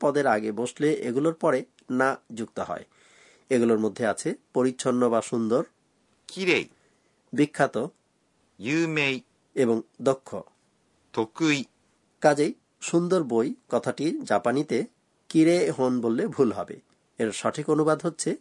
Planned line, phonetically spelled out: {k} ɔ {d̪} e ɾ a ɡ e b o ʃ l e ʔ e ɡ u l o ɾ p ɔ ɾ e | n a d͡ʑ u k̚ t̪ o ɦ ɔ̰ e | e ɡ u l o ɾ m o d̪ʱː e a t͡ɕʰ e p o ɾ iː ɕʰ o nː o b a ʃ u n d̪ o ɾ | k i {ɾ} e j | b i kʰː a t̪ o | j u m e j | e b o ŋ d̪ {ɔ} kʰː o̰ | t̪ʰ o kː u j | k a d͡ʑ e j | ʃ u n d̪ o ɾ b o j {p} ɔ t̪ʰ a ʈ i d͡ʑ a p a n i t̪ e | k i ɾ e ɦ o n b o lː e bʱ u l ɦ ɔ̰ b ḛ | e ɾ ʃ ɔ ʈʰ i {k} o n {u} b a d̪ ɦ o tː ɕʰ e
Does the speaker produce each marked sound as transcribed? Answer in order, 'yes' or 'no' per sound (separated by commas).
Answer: no, yes, yes, no, no, yes, yes